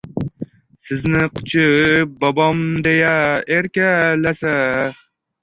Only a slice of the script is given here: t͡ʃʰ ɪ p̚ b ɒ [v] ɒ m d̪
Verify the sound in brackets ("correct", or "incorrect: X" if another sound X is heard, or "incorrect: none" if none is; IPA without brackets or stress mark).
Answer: incorrect: b